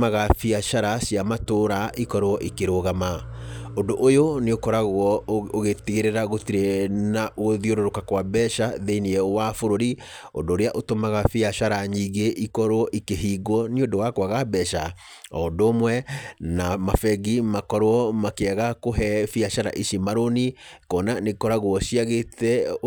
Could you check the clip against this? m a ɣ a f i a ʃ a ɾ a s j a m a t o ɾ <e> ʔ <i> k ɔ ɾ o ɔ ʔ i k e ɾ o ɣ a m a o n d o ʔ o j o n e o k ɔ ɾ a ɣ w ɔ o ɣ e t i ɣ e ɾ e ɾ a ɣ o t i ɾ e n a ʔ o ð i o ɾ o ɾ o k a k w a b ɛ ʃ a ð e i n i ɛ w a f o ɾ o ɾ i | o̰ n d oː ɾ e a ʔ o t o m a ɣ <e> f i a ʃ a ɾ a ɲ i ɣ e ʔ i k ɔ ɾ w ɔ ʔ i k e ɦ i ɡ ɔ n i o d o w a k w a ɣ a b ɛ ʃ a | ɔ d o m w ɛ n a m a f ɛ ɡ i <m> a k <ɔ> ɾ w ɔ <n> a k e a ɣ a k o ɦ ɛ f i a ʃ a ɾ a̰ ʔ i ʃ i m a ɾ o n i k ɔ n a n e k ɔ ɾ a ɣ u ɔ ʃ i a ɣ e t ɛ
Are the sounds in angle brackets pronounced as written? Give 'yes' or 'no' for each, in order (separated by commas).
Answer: no, yes, no, yes, yes, no